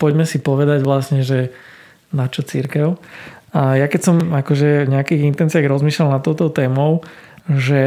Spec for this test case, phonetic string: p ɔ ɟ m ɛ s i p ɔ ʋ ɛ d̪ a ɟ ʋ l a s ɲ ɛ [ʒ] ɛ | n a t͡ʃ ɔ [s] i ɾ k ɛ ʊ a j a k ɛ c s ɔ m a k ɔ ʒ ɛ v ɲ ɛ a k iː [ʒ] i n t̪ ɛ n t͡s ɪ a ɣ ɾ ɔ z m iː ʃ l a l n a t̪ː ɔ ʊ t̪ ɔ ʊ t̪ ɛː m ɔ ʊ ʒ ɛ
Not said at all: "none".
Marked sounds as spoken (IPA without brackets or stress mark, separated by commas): ʒ, t͡s, ɣ